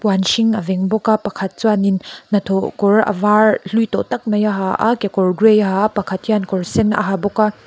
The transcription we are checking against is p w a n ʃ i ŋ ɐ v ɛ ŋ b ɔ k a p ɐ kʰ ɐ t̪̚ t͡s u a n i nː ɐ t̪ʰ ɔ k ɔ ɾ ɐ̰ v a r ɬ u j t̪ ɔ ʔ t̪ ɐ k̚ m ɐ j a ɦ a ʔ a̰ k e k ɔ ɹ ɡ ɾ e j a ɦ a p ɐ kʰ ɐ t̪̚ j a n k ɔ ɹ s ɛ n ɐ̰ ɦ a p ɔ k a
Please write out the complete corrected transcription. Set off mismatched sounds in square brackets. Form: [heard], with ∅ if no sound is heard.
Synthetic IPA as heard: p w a n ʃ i ŋ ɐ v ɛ ŋ b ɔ k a p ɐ kʰ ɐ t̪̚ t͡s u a n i nː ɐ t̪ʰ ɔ k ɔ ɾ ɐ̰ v a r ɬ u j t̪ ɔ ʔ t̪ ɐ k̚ m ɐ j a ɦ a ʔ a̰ k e k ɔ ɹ ɡ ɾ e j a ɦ a p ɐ kʰ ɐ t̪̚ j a n k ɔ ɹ s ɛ n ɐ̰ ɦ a [b] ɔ k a

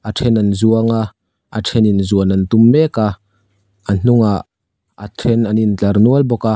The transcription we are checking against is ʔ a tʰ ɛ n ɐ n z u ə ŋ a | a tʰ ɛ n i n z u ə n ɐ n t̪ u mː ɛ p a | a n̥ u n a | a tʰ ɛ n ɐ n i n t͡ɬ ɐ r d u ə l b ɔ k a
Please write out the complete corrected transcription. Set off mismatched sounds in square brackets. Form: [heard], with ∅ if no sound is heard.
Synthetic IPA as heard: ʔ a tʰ ɛ n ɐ n z u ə ŋ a | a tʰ ɛ n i n z u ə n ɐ n t̪ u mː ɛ [k] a | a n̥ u [ŋ] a | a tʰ ɛ n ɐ n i n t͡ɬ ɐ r [n] u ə l b ɔ k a

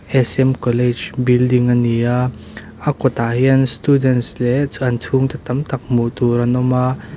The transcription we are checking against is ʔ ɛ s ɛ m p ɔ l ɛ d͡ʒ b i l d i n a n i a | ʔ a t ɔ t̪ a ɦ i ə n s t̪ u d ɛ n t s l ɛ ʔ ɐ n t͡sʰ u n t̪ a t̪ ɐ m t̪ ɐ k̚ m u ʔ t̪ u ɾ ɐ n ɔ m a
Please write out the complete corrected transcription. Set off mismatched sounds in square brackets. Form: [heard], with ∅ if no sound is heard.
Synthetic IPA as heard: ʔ ɛ s ɛ m [k] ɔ l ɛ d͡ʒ b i l d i [ŋ] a n i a | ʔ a [k] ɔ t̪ a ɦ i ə n s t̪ u d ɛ n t s l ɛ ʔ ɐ n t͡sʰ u [ŋ] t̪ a t̪ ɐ m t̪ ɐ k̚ m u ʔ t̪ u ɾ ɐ n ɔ m a

